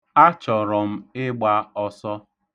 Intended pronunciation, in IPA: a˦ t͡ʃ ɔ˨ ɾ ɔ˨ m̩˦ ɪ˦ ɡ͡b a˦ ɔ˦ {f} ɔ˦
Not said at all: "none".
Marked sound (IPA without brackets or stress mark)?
s